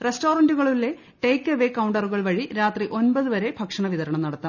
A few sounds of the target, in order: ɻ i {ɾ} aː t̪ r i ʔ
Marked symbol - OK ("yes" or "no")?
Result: yes